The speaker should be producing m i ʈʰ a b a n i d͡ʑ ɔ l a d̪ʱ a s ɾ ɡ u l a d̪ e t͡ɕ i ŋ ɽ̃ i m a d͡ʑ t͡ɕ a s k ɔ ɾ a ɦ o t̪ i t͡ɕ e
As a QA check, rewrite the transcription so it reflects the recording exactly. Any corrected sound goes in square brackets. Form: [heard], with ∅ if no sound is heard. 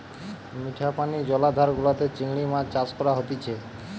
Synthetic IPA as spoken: m i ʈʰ a [p] a n i d͡ʑ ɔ l a d̪ʱ a [∅] ɾ ɡ u l a [t̪] e t͡ɕ i ŋ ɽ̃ i m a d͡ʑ t͡ɕ a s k ɔ ɾ a ɦ o t̪ i [t͡ɕʰ] e